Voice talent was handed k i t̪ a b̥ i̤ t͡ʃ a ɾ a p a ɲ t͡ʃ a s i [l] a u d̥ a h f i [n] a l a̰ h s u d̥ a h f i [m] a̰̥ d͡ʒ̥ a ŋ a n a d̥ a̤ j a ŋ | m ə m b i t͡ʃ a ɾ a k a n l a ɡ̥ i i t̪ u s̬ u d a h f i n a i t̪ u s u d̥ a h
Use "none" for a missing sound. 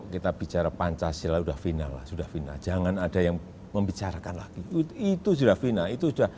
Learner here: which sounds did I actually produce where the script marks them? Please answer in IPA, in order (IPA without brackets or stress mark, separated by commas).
l, n, n